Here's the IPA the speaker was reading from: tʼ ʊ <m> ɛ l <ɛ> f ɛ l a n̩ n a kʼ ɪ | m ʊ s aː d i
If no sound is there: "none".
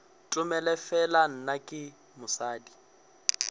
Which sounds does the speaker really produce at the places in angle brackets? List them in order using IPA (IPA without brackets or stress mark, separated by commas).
m, ɛ